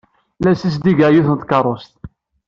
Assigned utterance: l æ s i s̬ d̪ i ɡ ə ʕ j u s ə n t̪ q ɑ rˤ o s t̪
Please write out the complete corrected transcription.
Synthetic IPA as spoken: l æ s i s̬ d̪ i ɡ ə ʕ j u θ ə n t̪ k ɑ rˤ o s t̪